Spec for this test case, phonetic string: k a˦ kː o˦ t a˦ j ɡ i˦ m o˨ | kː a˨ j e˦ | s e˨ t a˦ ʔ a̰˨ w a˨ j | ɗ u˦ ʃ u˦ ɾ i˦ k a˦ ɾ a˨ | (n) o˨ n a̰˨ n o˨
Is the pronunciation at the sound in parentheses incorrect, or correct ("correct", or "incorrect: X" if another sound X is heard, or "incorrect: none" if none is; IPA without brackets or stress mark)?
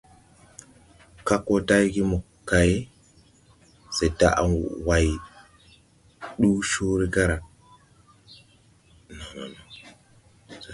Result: correct